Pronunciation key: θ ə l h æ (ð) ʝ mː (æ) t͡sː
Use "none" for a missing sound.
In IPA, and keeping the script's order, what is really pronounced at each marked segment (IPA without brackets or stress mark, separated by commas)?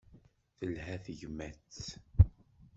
θ, æ